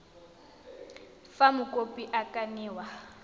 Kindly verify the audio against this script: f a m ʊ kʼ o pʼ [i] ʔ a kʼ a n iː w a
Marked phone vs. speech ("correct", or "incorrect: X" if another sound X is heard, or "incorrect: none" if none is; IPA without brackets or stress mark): correct